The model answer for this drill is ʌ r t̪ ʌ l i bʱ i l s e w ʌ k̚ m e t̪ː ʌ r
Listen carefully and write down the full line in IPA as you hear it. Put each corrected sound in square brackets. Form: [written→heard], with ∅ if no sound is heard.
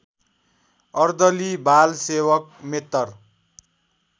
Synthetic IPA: ʌ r [t̪→d̪] ʌ l i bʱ [i→a] l s e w ʌ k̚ m e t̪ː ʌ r